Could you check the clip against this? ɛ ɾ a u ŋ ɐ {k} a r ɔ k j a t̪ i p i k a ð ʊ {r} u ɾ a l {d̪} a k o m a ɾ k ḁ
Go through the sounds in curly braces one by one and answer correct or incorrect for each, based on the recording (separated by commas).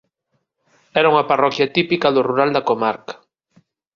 incorrect, correct, correct